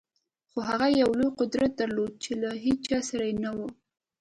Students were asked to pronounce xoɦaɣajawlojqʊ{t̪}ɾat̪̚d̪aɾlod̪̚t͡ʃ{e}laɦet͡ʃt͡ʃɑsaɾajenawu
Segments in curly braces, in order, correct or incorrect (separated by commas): incorrect, correct